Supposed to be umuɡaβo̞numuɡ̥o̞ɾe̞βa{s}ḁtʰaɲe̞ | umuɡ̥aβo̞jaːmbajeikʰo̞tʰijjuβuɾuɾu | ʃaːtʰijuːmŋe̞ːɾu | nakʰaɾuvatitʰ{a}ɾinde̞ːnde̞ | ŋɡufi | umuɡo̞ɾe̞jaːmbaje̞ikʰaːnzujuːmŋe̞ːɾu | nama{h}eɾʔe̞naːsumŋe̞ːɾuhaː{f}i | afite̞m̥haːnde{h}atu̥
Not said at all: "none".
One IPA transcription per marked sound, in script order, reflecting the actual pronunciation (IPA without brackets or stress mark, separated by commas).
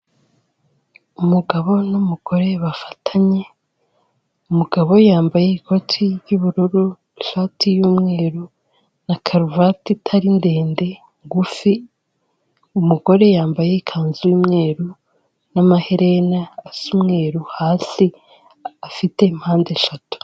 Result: f, a, h, s, ʃ